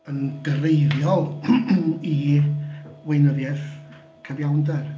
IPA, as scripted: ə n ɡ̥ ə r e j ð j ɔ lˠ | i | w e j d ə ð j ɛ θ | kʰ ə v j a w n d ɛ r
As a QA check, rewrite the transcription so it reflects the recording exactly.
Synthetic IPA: ə n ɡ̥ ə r e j ð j ɔ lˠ | i | w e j n ə ð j ɛ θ | kʰ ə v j a w n d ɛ r